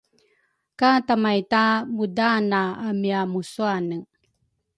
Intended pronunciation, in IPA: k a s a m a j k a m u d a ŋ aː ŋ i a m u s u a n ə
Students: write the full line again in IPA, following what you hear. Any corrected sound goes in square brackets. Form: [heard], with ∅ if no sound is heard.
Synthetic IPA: k a [t] a m a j [t] a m u d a [n] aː [m] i a m u s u a n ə